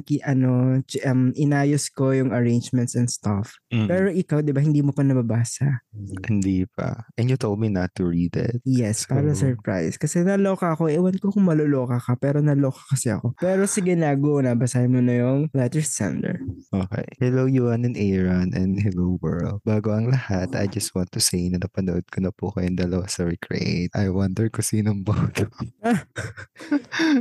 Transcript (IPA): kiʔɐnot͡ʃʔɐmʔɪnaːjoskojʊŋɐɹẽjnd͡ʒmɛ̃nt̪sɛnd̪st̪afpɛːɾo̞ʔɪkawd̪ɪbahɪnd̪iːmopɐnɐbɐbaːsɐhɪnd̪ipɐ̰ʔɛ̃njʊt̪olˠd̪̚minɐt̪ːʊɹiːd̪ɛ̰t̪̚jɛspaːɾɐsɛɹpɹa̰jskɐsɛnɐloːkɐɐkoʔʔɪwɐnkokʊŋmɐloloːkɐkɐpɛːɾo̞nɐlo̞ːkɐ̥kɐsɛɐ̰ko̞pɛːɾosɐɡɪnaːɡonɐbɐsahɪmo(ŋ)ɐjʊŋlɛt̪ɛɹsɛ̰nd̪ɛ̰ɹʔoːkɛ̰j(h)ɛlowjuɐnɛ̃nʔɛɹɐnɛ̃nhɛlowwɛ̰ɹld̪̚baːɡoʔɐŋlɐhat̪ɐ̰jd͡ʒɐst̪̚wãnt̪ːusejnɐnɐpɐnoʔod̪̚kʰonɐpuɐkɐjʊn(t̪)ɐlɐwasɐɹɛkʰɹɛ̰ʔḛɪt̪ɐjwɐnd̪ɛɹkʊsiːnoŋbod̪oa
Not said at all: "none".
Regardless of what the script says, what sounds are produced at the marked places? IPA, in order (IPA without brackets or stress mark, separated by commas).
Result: n, h, d̪